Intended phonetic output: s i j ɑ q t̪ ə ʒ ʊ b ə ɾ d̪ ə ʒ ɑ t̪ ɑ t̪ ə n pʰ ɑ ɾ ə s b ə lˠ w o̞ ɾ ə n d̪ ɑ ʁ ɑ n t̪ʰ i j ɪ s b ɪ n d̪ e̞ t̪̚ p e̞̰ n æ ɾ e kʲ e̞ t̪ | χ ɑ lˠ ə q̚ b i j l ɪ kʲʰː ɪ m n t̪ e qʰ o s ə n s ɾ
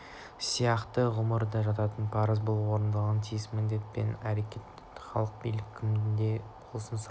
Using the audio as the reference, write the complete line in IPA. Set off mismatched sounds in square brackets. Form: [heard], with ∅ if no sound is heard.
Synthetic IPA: s i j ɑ q t̪ ə [ʁ] ʊ [m] ə ɾ d̪ [ɑ] ʒ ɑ t̪ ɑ t̪ ə n pʰ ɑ ɾ ə [z] b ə lˠ w o̞ ɾ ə n d̪ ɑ ʁ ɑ n t̪ʰ i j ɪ s [m] ɪ n d̪ e̞ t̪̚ p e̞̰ n æ ɾ e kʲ e̞ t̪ | χ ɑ lˠ ə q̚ b i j l ɪ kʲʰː ɪ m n [d̪] e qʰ o s ə n s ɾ